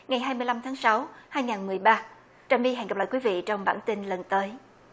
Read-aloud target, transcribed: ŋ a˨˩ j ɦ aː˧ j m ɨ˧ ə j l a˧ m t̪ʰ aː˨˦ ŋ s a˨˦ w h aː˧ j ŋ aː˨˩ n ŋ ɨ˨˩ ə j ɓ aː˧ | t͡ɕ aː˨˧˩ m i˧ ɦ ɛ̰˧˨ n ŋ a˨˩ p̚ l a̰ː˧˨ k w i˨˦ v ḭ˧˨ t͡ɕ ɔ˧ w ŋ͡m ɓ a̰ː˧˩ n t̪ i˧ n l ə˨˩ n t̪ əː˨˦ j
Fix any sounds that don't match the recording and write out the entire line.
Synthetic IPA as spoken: ŋ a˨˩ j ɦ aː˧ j m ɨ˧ ə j l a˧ m t̪ʰ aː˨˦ ŋ s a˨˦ w h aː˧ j ŋ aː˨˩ n m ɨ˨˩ ə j ɓ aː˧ | t͡ɕ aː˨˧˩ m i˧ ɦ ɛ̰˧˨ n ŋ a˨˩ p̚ l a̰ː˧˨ k w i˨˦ v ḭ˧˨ t͡ɕ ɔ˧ w ŋ͡m ɓ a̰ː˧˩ n t̪ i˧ n l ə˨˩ n t̪ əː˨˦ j